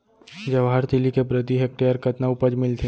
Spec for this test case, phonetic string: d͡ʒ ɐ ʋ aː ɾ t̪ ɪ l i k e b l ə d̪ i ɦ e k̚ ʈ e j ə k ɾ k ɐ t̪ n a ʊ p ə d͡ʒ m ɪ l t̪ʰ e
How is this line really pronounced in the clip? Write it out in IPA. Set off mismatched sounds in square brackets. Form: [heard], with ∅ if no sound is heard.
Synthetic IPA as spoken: d͡ʒ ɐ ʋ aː ɾ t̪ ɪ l i k e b [ɾ] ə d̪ i ɦ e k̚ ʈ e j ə [∅] ɾ k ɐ t̪ n a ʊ p ə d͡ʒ m ɪ l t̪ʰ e